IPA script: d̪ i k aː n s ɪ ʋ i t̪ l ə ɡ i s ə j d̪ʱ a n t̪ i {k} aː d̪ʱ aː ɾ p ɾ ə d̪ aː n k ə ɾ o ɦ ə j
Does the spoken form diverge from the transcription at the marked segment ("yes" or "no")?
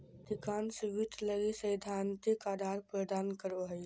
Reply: no